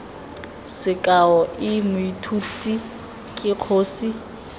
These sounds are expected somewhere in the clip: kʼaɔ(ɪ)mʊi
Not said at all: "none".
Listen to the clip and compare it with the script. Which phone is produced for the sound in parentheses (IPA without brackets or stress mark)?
ɪ